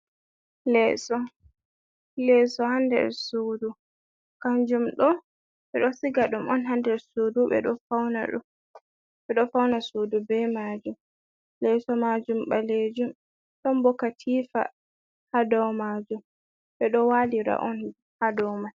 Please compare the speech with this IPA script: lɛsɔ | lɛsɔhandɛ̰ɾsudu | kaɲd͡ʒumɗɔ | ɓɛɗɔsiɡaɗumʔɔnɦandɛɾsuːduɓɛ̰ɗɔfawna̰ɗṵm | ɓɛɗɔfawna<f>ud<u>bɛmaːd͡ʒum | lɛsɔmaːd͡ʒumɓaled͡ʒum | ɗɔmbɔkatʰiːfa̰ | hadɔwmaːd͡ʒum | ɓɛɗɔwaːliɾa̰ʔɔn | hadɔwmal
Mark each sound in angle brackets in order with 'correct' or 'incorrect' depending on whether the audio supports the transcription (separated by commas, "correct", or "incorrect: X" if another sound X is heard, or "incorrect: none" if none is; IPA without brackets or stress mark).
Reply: incorrect: s, correct